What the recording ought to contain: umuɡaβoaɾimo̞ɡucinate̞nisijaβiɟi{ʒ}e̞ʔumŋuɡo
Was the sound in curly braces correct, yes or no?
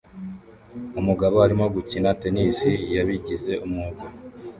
no